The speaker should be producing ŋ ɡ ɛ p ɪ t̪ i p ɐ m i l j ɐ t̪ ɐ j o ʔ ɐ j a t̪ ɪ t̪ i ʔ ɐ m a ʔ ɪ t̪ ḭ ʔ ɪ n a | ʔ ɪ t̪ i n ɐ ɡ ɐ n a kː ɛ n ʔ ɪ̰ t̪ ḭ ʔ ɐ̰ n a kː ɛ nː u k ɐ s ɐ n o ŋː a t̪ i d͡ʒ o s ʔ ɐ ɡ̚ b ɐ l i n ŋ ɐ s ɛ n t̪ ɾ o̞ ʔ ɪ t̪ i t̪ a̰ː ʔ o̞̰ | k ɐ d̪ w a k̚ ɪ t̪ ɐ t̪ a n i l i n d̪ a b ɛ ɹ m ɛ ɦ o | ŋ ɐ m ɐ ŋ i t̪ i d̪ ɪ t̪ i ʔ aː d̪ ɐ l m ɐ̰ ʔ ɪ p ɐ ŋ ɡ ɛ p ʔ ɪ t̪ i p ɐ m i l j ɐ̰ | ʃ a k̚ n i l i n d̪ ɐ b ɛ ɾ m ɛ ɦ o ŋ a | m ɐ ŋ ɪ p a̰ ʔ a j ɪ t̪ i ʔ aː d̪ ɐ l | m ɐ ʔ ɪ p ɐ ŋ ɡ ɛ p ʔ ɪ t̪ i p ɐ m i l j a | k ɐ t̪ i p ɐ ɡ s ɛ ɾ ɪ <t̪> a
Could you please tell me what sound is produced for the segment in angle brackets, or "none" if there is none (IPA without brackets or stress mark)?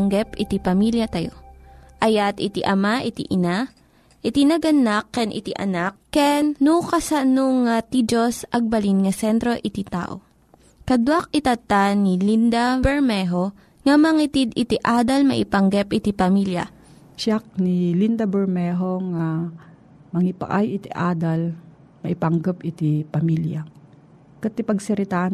t̪